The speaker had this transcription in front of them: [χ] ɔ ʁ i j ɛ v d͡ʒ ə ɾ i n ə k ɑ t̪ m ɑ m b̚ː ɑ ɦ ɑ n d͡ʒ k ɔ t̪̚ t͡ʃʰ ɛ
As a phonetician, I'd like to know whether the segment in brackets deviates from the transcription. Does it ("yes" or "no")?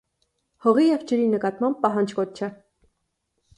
yes